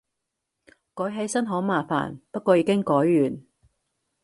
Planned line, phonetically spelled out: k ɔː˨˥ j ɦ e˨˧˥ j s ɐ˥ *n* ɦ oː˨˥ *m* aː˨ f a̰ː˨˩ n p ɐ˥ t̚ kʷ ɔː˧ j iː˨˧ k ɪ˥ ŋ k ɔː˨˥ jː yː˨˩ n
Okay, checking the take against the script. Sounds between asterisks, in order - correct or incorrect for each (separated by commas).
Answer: correct, correct